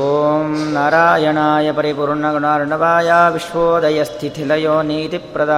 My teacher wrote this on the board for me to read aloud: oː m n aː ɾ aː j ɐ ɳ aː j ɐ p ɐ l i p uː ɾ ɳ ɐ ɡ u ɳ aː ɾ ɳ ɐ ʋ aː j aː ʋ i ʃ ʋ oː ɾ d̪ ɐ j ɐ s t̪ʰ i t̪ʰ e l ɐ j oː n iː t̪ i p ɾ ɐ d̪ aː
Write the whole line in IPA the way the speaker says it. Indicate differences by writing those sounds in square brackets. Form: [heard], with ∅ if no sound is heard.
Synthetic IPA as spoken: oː m n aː ɾ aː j ɐ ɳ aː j ɐ p ɐ [ɾ] i p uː ɾ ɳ ɐ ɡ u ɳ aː ɾ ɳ ɐ ʋ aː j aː ʋ i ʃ ʋ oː [∅] d̪ ɐ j ɐ s t̪ʰ i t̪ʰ [i] l ɐ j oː n iː t̪ i p ɾ ɐ d̪ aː